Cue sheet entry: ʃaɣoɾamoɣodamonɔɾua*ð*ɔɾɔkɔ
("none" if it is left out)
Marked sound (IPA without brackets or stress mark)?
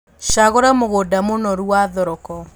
ð